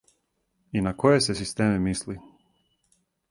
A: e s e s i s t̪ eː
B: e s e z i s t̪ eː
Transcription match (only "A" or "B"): A